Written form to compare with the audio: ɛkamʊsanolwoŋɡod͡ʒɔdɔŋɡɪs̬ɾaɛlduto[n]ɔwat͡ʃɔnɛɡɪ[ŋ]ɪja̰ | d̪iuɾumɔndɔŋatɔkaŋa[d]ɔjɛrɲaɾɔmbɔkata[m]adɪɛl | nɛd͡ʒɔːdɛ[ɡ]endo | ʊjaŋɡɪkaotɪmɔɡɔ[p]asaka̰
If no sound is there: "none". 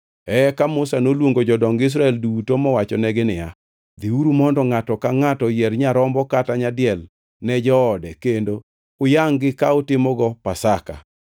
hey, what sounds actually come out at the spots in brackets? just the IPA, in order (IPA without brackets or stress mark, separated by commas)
m, n, t, ɲ, k, p